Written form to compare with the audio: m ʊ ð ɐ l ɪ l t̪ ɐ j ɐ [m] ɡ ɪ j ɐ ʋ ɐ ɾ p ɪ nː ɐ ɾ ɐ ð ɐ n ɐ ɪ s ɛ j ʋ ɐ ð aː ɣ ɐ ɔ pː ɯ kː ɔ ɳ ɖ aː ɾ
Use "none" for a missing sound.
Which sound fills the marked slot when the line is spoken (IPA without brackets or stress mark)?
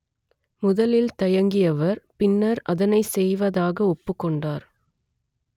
ŋ